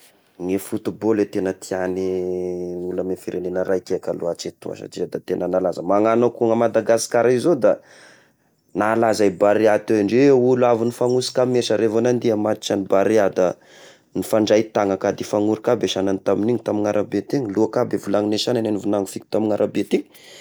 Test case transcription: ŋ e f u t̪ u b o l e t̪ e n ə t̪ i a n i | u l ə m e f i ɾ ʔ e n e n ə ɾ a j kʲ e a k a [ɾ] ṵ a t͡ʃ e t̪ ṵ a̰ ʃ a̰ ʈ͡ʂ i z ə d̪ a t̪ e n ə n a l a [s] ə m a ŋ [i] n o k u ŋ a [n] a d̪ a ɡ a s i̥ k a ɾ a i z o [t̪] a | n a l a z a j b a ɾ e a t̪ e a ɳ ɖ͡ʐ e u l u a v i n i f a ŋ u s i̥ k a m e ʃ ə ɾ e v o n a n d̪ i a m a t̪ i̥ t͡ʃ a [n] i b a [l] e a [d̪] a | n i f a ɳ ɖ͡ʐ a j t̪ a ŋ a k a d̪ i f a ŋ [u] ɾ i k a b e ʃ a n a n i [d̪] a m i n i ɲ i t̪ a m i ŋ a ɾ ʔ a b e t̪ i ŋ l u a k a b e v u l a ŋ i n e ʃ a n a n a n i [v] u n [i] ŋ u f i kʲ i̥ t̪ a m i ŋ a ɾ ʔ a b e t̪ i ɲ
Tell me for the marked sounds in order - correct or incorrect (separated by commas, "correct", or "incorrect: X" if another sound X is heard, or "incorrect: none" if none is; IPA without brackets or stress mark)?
incorrect: l, incorrect: z, incorrect: a, incorrect: m, incorrect: d̪, correct, incorrect: ɾ, correct, correct, incorrect: t̪, correct, incorrect: a